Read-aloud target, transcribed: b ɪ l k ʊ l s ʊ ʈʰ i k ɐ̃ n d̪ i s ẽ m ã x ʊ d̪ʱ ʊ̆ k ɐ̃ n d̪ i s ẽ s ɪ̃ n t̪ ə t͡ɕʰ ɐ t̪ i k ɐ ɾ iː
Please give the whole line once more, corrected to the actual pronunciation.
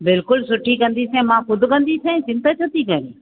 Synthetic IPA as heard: b ɪ l k ʊ l s ʊ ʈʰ i k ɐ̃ n d̪ i s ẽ m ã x ʊ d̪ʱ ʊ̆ k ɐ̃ n d̪ i s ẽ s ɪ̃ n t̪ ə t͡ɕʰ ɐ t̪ i k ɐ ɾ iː